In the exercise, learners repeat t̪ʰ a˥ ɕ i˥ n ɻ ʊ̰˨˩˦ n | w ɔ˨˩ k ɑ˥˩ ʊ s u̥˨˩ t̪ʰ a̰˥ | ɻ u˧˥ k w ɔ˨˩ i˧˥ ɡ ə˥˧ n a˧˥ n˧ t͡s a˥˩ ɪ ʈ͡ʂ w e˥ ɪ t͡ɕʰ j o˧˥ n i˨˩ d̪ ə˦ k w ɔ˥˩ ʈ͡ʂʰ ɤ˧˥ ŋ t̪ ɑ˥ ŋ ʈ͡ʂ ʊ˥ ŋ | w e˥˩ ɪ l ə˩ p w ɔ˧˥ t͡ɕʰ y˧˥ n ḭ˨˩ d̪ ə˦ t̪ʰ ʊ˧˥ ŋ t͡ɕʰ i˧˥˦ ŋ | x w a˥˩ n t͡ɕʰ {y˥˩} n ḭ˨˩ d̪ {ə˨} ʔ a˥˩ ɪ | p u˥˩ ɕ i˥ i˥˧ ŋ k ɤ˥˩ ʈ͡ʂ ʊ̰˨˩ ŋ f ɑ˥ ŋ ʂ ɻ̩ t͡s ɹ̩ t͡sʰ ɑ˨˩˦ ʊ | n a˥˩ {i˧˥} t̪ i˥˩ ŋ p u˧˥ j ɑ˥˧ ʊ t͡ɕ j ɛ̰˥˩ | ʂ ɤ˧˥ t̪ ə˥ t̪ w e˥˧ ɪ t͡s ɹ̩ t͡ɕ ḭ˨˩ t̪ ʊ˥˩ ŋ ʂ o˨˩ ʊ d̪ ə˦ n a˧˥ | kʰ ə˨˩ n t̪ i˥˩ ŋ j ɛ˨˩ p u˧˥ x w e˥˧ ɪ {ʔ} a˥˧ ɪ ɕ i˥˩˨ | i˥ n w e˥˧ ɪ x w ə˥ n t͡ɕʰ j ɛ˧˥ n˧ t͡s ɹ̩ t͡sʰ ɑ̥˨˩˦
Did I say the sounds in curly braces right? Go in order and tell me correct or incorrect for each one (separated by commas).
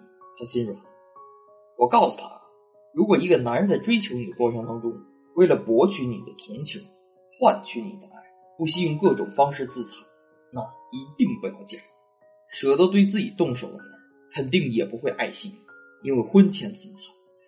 incorrect, incorrect, correct, correct